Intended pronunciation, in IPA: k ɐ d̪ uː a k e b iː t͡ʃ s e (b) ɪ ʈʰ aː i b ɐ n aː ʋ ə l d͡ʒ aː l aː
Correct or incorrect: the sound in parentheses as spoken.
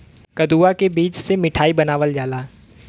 incorrect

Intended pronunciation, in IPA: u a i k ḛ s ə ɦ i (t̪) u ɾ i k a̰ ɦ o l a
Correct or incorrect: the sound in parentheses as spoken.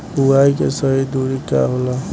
incorrect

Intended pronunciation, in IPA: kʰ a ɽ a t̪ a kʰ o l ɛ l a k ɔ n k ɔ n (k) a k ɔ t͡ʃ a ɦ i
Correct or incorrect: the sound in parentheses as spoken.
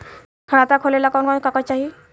correct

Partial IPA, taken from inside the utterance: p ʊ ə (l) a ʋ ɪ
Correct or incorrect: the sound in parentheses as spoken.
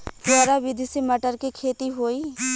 incorrect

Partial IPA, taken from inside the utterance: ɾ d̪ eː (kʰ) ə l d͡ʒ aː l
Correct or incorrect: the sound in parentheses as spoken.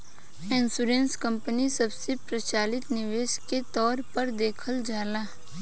correct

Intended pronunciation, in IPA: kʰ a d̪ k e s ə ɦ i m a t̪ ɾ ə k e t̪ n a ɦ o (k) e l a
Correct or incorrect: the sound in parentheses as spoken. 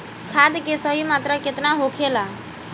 incorrect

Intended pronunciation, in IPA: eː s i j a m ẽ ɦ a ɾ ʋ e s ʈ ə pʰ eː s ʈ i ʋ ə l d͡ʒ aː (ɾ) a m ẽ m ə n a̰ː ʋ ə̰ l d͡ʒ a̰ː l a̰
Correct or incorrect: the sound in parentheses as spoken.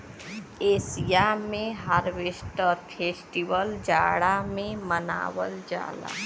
incorrect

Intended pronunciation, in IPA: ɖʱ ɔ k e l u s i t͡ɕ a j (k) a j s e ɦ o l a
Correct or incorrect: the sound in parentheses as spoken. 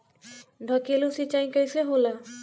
correct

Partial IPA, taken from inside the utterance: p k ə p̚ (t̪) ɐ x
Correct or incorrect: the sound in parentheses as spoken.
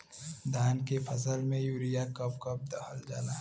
incorrect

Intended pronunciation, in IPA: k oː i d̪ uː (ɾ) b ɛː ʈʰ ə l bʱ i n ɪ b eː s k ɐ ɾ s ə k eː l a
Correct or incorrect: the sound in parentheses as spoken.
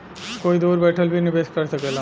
correct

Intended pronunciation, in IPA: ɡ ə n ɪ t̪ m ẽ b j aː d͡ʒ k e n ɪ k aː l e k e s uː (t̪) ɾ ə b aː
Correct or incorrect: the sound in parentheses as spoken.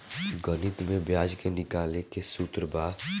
correct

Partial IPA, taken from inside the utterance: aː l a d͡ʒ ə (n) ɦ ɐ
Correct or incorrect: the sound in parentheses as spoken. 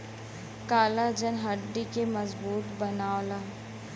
correct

